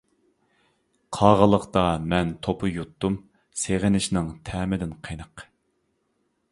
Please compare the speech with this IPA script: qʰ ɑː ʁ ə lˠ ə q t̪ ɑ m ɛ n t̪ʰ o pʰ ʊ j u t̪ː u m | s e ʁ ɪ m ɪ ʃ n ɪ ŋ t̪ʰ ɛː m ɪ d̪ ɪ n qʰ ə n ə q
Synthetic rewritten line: qʰ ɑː ʁ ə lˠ ə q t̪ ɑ m ɛ n t̪ʰ o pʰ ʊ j u t̪ː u m | s e ʁ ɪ n ɪ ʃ n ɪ ŋ t̪ʰ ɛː m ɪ d̪ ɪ n qʰ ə n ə q